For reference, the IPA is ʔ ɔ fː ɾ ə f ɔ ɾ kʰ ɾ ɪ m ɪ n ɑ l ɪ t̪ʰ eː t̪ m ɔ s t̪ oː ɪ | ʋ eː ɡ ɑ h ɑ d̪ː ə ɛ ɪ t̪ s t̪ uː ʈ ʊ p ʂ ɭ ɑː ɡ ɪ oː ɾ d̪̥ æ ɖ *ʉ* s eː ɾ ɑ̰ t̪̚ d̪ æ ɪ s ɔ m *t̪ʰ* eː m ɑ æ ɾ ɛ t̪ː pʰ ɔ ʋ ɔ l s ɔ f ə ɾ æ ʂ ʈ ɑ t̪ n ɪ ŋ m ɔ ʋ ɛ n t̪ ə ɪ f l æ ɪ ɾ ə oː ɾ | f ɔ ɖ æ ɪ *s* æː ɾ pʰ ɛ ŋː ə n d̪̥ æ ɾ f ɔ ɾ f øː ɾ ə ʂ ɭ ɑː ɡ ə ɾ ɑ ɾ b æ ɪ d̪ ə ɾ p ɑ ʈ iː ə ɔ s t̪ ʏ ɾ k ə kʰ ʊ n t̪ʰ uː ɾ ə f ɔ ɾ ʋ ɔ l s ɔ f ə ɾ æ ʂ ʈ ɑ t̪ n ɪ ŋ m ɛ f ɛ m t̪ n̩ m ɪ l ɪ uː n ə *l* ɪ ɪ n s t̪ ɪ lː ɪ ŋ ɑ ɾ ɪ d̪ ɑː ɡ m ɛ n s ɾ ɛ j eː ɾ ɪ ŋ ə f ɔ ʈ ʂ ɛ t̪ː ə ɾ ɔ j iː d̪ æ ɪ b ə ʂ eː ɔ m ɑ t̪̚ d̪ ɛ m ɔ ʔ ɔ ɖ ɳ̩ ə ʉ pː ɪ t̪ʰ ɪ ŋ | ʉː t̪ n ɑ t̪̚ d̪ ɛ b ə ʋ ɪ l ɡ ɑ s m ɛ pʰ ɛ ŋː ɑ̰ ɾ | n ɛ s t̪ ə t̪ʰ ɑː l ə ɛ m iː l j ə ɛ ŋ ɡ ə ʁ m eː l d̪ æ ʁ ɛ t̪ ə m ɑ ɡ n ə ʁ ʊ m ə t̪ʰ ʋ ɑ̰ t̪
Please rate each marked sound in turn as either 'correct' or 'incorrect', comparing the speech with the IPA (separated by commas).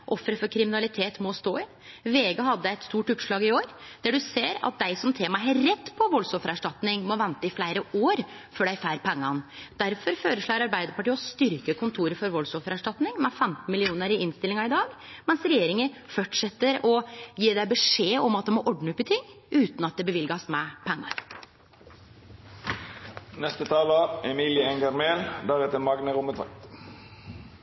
correct, correct, incorrect, incorrect